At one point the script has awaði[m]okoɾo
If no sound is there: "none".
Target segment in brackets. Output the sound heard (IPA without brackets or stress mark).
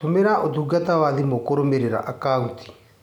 m